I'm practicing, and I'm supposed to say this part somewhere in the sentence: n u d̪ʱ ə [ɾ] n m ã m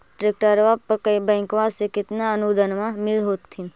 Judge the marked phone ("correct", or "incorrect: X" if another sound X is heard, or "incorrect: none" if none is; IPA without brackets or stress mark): incorrect: none